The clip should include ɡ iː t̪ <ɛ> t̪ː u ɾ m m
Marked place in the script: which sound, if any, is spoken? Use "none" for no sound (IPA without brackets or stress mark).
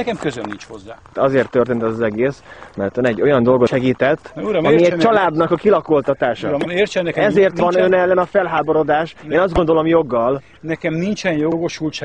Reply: ɛ